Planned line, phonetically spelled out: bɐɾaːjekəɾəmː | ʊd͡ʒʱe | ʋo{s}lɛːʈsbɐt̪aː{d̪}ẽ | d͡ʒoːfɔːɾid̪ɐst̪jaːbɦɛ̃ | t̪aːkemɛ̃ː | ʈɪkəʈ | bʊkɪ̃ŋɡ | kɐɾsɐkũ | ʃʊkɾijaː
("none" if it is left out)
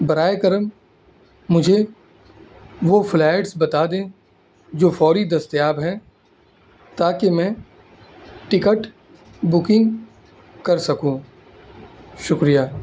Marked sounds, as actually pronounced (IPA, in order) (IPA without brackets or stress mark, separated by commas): f, d̪